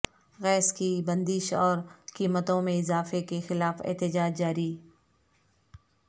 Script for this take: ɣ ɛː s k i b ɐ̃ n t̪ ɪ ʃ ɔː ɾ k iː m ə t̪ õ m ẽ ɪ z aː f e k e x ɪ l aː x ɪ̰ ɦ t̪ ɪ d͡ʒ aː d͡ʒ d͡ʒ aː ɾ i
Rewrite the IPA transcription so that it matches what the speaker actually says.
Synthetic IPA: ɣ ɛː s k i b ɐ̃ n d̪ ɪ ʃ ɔː ɾ k iː m ə t̪ õ m ẽ ɪ z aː f e k e x ɪ l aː f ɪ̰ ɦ t̪ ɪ d͡ʒ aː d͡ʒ d͡ʒ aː ɾ i